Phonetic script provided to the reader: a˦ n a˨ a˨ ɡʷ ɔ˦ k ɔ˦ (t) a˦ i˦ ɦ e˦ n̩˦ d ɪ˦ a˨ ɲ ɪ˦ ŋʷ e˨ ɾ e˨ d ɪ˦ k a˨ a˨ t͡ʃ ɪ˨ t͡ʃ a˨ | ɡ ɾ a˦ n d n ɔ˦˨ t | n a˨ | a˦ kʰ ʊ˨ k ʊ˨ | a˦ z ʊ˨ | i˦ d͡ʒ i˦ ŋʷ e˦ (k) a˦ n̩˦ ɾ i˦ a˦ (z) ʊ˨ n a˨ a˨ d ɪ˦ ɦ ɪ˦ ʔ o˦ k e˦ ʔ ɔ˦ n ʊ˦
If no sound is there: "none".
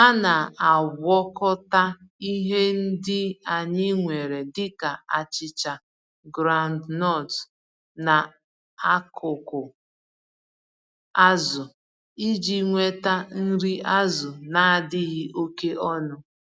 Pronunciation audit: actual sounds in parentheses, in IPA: t, t, z

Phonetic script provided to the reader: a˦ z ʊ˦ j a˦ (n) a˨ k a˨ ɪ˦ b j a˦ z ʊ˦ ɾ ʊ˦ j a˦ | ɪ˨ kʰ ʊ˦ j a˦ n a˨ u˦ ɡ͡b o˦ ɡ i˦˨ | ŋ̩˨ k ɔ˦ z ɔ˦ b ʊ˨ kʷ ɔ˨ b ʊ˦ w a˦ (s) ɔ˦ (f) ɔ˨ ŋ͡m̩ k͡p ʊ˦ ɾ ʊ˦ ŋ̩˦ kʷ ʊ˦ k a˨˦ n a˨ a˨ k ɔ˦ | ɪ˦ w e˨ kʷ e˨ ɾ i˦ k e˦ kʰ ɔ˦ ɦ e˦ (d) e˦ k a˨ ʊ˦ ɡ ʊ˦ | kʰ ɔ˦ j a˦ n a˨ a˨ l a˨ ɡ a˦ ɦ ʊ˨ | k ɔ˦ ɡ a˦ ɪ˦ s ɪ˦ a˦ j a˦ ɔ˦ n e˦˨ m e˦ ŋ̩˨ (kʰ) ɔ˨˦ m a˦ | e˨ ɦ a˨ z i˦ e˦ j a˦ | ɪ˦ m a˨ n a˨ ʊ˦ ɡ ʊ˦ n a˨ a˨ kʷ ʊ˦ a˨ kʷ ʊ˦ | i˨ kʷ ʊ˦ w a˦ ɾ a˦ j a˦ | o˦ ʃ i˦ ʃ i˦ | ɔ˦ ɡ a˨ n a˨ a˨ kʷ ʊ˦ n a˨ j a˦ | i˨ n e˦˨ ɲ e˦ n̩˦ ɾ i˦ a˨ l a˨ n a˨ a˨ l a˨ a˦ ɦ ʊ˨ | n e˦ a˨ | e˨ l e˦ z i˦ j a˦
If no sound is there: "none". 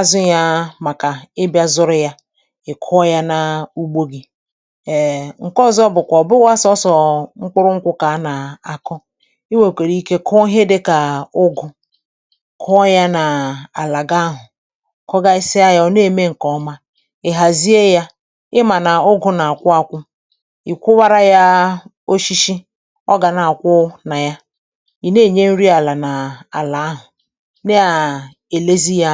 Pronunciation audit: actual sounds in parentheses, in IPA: m, s, s, d, k

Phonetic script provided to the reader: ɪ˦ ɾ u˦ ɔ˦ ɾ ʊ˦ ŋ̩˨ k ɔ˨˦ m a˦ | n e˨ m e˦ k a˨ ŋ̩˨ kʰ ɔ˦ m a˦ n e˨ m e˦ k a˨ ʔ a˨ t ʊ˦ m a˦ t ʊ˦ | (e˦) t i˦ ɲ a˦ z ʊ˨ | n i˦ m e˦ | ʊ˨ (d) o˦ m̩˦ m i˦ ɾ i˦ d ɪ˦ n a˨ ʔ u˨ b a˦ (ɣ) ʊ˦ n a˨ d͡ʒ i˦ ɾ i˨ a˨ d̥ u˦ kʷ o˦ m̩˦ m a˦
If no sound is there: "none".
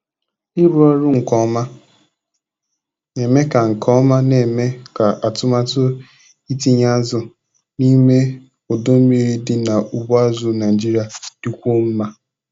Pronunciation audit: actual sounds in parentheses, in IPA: i˦, d, z

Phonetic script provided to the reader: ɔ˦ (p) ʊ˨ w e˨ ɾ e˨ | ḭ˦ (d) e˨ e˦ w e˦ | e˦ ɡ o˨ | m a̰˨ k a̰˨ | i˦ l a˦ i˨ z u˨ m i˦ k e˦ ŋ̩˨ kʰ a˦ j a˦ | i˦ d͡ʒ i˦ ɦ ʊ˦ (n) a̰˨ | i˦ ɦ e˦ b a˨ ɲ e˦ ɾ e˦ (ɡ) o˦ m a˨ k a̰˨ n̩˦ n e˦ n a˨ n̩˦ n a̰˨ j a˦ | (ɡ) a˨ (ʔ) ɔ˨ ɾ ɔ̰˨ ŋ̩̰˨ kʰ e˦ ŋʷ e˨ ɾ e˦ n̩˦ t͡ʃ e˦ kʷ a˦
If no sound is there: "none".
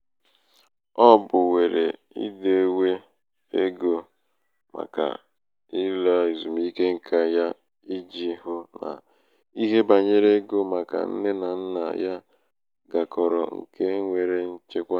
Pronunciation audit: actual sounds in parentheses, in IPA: b, d, n, ɡ, ɡ, k

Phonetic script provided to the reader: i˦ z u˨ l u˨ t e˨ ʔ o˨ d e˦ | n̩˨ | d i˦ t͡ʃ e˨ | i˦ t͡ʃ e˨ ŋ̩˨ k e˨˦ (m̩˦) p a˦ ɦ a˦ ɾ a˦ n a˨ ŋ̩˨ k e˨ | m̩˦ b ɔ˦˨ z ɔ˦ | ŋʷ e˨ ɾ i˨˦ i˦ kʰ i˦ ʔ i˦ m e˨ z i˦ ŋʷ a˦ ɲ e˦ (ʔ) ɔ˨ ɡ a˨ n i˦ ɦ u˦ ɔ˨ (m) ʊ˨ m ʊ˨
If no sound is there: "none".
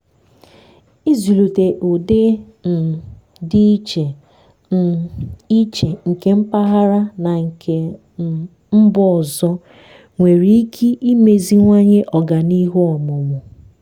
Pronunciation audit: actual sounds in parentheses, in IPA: m̩˦, ʔ, m

